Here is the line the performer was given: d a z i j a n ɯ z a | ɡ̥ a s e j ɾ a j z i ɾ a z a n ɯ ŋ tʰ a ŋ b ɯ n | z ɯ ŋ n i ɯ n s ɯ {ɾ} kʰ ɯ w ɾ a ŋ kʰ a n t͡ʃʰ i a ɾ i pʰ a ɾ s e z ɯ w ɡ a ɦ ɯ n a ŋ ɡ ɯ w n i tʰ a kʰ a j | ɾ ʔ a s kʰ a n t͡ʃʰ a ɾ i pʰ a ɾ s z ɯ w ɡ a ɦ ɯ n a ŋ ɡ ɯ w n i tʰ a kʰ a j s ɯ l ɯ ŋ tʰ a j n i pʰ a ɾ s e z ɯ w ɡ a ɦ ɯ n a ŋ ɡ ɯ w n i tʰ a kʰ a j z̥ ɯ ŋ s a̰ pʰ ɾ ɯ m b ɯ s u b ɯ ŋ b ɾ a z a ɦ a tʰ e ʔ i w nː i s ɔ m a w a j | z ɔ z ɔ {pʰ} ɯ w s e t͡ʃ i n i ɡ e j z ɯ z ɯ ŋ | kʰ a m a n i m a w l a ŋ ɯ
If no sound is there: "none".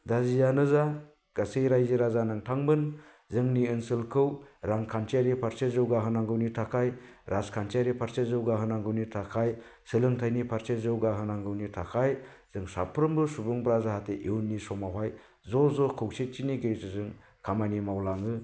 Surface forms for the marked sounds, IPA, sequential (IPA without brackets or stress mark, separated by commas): l, kʰ